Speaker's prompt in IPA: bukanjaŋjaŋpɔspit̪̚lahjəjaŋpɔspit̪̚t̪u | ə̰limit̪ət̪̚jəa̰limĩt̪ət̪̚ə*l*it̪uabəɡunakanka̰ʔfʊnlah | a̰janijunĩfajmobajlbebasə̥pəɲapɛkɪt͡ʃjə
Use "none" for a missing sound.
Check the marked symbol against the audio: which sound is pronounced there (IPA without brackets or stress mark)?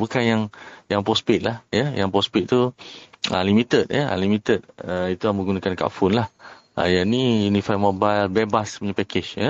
none